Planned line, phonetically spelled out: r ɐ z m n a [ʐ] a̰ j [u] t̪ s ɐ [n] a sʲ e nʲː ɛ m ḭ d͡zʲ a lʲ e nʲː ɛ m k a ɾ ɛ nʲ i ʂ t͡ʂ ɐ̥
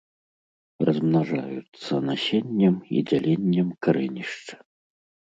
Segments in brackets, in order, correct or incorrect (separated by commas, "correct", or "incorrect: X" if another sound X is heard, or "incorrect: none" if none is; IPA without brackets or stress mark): correct, correct, correct